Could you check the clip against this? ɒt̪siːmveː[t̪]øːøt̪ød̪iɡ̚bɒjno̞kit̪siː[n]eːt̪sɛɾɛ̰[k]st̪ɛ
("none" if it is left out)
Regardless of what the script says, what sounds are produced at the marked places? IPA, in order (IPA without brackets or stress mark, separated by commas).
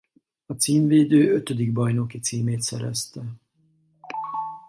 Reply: d̪, m, none